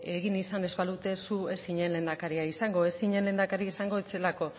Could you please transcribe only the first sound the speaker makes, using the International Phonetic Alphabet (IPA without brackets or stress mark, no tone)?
e̞